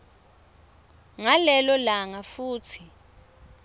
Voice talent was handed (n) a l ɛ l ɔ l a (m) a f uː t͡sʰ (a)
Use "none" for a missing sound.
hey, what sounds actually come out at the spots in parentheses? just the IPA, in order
ŋ, ŋ, i

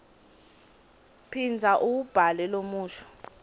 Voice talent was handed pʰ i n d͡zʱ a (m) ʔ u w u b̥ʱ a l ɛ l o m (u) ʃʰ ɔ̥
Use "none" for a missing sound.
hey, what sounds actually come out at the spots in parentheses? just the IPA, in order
none, uː

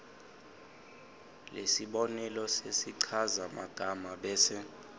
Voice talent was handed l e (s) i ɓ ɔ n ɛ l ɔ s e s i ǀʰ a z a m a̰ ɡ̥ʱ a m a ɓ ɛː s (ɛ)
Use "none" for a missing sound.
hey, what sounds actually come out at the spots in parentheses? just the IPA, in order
s, ɛ

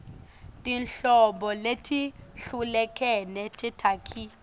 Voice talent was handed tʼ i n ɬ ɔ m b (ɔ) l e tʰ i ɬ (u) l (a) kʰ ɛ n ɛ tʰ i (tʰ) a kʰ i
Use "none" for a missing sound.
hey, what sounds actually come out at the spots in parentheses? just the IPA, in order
ɔ, u, ɛ, tʰ

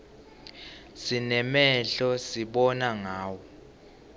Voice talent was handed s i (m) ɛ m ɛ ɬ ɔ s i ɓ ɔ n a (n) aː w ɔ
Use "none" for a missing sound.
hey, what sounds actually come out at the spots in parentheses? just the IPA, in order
n, ŋ

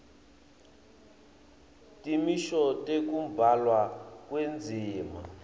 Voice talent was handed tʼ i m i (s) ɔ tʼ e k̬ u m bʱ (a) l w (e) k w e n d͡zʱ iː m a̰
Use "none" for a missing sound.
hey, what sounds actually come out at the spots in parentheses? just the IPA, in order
ʃ, a, a

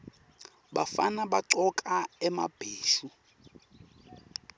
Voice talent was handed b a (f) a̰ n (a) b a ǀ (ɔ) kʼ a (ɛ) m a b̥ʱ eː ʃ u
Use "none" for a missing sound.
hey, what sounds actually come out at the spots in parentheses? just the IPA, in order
f, a, ɔ, ɛ

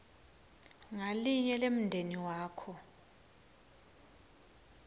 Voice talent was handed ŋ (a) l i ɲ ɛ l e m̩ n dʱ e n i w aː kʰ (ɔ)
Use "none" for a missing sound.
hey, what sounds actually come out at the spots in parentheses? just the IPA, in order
a, ɔ

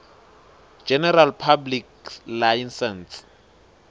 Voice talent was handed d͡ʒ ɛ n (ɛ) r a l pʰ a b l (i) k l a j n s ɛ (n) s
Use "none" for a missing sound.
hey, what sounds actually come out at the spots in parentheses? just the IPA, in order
ɛ, i, n

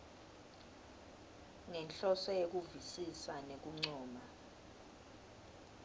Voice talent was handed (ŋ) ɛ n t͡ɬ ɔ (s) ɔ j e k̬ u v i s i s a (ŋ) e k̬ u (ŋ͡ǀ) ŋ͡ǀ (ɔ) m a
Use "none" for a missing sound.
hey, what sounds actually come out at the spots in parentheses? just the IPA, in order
ŋ, s, n, ŋ͡ǀ, ɔː

